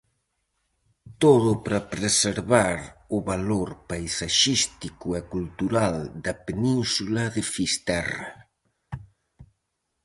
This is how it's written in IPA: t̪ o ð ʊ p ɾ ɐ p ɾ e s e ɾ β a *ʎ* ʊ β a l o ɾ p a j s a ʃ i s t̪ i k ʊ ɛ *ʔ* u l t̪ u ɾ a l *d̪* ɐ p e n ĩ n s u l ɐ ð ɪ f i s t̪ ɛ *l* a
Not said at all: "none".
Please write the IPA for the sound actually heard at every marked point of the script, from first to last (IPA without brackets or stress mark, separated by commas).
ɾ, k, d̪, r